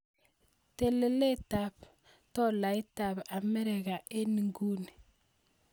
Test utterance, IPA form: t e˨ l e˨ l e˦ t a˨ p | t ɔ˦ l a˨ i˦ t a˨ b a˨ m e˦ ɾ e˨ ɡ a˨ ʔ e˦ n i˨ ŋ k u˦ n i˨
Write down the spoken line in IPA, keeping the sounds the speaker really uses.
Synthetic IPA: t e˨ l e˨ l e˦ t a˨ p | t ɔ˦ l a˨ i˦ t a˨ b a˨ m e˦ ɾ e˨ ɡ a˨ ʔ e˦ n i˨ ŋ ɡ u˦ n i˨